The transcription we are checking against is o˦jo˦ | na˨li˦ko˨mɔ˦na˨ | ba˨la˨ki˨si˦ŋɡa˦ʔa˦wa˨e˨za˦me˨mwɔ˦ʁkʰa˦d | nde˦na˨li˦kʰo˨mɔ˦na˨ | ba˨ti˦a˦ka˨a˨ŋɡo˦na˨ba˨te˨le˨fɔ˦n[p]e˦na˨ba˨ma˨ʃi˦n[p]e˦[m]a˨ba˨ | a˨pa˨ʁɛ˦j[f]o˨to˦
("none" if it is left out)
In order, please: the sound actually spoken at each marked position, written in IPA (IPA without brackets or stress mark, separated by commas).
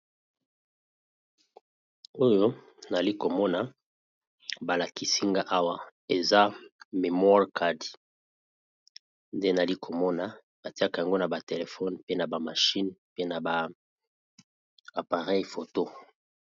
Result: p, p, n, f